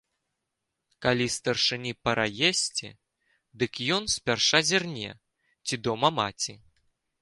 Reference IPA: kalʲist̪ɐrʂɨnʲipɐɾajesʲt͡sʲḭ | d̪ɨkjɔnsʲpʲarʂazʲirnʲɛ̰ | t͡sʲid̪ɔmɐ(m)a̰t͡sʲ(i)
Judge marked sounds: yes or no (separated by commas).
yes, yes